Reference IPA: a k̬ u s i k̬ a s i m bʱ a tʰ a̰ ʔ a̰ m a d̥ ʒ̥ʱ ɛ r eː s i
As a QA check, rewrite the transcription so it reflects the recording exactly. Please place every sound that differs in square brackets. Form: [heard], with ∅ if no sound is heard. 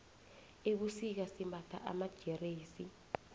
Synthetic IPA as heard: [e] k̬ u s i k̬ a s i m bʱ a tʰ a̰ ʔ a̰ m a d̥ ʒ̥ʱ ɛ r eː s i

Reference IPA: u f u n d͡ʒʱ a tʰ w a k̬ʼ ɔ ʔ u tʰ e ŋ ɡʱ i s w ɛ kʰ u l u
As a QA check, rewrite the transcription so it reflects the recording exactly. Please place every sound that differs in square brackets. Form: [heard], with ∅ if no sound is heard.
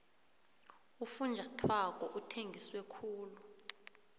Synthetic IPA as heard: u f u n d͡ʒʱ a tʰ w a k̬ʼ ɔ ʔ u tʰ e ŋ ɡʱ i s w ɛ kʰ [uː] l u

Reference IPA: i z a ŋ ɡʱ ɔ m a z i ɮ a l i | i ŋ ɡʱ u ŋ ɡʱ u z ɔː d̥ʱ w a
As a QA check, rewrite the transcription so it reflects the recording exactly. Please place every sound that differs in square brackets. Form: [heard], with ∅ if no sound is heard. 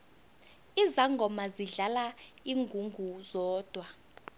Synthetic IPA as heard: i z a ŋ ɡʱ ɔ m a z i ɮ a l [a] | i ŋ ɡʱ u ŋ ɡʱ u z ɔː d̥ʱ w a

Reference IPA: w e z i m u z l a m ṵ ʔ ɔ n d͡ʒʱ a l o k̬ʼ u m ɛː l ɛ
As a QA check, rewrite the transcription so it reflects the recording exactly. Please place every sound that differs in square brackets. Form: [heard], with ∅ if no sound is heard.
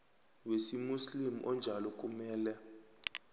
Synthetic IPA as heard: w e [s] i m u [s] l [i] m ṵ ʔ ɔ n d͡ʒʱ a l [ɔ] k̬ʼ u m ɛː l ɛ

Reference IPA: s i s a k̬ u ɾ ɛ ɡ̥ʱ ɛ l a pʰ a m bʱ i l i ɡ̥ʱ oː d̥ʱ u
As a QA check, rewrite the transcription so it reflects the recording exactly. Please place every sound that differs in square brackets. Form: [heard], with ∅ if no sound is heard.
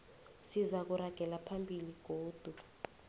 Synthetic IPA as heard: s i [z] a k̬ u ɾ [a] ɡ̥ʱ ɛ l a pʰ a m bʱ i l i ɡ̥ʱ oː d̥ʱ u

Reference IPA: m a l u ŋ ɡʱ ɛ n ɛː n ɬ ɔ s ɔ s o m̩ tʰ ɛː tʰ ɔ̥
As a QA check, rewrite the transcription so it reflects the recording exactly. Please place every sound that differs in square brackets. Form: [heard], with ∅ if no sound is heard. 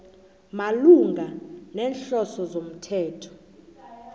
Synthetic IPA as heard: m a l u ŋ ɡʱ [a] n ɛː n ɬ ɔ s ɔ [z] o m̩ tʰ ɛː tʰ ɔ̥

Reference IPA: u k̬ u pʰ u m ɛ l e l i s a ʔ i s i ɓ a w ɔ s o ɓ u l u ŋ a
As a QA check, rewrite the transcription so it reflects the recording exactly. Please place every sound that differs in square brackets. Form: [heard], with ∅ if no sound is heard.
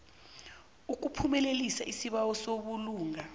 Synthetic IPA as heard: u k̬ u pʰ u m ɛ l e l i s a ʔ i s i ɓ a w ɔ s o ɓ u l [uː] ŋ a

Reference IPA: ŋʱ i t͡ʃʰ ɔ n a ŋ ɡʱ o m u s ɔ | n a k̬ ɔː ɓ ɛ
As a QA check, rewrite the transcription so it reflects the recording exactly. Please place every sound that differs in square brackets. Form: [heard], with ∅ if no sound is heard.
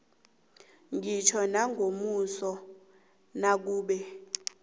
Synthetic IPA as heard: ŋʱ i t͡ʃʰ ɔ n a ŋ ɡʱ o m u s ɔ | n a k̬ [uː] ɓ ɛ

